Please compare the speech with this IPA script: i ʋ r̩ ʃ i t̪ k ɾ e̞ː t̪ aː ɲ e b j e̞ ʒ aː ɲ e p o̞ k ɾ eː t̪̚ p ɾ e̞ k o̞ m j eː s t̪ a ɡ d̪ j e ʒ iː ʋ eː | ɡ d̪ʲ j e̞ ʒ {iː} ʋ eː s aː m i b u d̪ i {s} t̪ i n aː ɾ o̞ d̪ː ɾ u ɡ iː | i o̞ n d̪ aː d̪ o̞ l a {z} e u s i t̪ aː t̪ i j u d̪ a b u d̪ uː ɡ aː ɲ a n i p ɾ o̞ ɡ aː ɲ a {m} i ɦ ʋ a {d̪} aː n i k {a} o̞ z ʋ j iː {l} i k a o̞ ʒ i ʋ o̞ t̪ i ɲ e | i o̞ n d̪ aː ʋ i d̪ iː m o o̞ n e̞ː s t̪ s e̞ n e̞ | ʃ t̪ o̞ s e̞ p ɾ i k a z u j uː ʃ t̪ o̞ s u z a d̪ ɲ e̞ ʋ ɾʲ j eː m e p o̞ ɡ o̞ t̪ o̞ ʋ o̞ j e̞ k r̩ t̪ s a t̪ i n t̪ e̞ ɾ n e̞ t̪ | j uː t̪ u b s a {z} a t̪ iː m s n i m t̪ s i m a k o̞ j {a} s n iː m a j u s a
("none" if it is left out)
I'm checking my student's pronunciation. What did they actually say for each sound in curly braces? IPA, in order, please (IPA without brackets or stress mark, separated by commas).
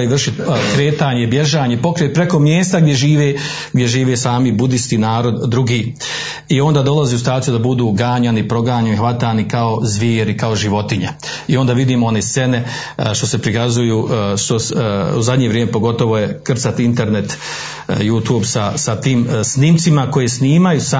iː, s, z, n, t̪, a, ɾ, s, e